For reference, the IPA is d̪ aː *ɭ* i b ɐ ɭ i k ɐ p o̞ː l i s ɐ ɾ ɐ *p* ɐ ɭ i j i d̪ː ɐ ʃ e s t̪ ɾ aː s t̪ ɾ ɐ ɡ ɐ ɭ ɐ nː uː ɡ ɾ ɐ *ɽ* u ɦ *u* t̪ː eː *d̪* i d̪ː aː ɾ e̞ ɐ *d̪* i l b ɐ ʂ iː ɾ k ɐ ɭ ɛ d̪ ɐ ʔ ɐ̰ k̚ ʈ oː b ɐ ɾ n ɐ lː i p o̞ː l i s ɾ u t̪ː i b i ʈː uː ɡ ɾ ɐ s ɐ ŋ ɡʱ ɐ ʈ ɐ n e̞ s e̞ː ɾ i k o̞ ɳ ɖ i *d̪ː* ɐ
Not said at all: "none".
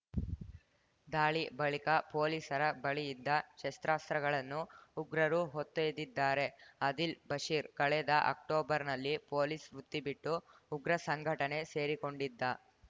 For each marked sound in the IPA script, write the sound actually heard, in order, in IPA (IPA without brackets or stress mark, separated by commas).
ɭ, b, ɾ, o, d̪, d̪, d̪ː